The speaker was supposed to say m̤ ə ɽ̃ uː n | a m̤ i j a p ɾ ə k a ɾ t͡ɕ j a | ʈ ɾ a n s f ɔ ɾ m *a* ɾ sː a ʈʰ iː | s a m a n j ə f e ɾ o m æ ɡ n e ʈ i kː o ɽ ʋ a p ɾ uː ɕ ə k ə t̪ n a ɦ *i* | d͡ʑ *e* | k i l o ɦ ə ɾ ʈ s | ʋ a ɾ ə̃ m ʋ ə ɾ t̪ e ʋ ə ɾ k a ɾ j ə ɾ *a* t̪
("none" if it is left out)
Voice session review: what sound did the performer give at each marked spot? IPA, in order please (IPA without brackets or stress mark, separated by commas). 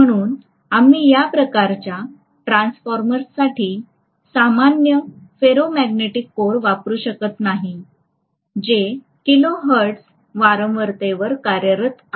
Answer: ə, i, e, ə